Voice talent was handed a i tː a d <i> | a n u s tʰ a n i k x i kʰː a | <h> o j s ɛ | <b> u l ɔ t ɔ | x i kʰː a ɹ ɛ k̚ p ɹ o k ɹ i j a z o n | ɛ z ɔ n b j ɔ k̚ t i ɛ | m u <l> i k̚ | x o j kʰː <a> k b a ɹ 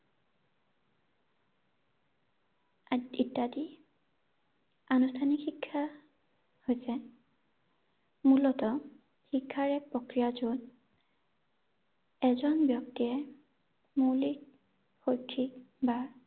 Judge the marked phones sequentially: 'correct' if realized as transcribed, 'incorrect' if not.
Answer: correct, correct, incorrect: m, correct, incorrect: i

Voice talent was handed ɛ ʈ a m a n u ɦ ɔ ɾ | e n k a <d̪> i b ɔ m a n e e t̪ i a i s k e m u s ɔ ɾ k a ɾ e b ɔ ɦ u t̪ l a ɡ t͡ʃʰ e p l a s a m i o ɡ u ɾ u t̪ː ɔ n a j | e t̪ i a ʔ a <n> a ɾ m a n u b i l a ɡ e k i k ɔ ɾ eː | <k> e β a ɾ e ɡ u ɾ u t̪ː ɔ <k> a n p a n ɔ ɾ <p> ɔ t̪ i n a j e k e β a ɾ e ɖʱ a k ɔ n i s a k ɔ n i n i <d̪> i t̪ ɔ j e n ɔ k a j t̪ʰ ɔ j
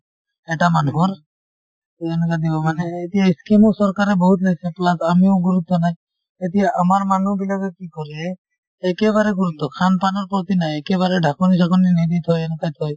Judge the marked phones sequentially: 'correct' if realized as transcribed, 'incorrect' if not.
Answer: correct, incorrect: m, correct, incorrect: kʰ, correct, correct

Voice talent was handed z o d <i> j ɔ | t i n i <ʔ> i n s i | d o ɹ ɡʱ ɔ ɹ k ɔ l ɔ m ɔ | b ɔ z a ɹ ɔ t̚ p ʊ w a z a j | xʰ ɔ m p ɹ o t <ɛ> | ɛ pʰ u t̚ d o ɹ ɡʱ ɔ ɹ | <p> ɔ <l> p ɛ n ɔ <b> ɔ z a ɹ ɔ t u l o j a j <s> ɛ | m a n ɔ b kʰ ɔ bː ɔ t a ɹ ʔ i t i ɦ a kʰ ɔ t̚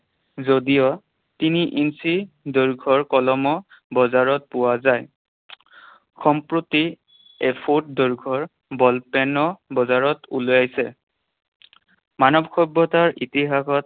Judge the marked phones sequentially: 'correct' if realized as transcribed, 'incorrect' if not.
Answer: correct, correct, incorrect: i, incorrect: b, correct, correct, correct

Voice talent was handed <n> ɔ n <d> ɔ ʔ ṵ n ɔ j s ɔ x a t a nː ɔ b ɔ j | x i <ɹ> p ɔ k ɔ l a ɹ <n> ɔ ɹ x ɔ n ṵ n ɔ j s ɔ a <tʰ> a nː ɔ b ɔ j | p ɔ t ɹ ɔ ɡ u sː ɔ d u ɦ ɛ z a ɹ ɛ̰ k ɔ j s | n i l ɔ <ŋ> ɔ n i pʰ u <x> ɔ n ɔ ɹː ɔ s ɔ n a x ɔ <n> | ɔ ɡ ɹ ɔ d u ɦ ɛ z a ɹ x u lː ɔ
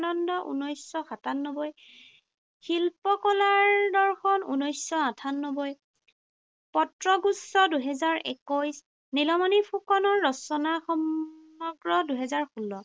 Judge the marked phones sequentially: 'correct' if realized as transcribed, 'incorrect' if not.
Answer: correct, correct, incorrect: l, incorrect: d, correct, incorrect: m, incorrect: k, incorrect: m

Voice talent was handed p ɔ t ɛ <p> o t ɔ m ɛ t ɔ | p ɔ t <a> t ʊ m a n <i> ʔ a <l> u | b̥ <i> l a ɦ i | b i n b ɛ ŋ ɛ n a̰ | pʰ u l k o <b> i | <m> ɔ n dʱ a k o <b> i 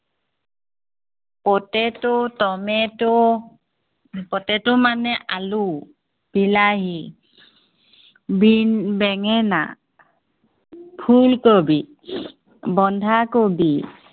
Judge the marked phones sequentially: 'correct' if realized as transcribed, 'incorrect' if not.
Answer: incorrect: t, incorrect: ɛ, incorrect: ɛ, correct, correct, correct, incorrect: b, correct

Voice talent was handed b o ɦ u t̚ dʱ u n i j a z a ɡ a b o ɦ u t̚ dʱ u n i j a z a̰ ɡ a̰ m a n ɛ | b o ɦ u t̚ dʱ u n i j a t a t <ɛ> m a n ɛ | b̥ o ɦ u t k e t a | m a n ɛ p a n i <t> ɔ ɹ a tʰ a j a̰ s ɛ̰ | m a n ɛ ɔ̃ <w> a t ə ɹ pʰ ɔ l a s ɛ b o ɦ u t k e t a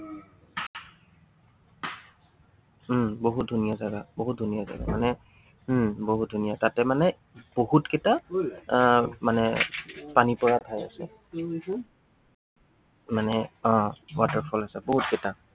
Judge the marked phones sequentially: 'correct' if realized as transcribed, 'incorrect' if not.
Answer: correct, incorrect: p, correct

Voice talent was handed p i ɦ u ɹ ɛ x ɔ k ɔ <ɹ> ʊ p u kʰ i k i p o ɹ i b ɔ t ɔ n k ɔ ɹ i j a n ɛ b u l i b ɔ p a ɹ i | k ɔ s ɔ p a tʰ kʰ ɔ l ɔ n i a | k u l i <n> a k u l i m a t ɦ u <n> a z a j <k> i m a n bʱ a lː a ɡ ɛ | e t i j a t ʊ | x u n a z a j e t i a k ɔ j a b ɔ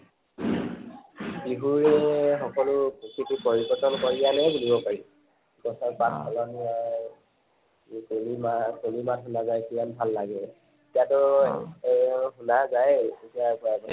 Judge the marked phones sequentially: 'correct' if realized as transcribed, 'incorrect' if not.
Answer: incorrect: l, incorrect: m, correct, correct

